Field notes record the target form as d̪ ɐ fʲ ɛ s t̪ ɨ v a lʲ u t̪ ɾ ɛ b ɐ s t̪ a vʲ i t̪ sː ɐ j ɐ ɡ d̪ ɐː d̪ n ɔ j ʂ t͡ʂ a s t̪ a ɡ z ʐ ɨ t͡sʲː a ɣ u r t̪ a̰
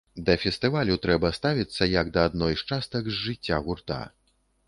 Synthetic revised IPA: d̪ ɐ fʲ ɛ s t̪ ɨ v a lʲ u t̪ ɾ ɛ b ɐ s t̪ a vʲ i t̪ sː ɐ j ɐ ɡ d̪ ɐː d̪ n ɔ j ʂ t͡ʂ a s t̪ ɐ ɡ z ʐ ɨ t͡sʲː a ɣ u r t̪ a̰